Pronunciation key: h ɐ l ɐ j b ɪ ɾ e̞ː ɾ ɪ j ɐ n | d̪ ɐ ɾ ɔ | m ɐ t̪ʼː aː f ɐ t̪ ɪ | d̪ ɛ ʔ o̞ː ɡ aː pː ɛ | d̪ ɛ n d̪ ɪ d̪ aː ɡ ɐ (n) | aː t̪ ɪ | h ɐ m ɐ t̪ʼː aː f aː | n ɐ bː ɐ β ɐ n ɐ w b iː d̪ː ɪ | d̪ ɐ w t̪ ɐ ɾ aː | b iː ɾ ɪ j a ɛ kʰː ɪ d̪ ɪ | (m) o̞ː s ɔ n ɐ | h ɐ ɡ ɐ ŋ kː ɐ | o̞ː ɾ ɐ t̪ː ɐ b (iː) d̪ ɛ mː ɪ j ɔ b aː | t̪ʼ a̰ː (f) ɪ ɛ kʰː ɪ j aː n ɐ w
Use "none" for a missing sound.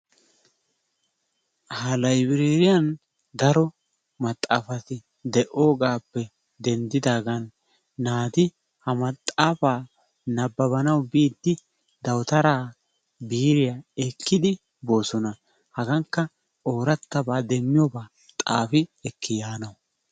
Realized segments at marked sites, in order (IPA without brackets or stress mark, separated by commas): nː, b, aː, f